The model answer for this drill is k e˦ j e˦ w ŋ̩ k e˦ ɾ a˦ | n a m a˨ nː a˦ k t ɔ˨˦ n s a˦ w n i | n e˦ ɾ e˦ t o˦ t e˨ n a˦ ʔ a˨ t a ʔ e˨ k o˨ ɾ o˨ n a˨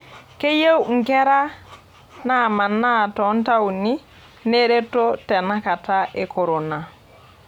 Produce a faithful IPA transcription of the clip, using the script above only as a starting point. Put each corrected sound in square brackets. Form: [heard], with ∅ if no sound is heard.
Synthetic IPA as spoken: k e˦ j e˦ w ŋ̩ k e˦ ɾ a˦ | n a m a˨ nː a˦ [∅] t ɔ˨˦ n [t] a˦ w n i | n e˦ ɾ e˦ t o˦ t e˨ n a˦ [k] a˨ t a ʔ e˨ k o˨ ɾ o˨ n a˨